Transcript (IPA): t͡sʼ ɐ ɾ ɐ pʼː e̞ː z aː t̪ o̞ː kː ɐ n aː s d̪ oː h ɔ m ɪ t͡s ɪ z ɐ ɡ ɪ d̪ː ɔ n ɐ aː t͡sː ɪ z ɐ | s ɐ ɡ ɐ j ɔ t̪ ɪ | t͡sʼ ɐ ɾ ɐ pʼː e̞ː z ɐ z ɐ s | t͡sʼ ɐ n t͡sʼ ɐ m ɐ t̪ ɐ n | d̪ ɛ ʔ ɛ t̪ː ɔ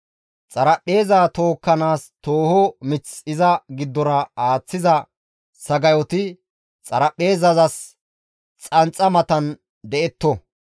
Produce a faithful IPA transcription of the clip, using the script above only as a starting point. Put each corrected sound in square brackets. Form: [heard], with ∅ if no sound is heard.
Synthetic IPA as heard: t͡sʼ ɐ ɾ ɐ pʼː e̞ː z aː t̪ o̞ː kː ɐ n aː s [t̪] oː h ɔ m ɪ t͡s ɪ z ɐ ɡ ɪ d̪ː ɔ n ɐ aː t͡sː ɪ z ɐ | s ɐ ɡ ɐ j ɔ t̪ ɪ | t͡sʼ ɐ ɾ ɐ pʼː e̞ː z ɐ z ɐ s | t͡sʼ ɐ n t͡sʼ ɐ m ɐ t̪ ɐ n | d̪ ɛ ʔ ɛ t̪ː ɔ